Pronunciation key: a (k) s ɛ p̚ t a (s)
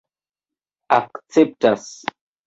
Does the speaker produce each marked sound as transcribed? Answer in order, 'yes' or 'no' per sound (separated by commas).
yes, yes